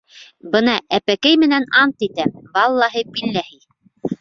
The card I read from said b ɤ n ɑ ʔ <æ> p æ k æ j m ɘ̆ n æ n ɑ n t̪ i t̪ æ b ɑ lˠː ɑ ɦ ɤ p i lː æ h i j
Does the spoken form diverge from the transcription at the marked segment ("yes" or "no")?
no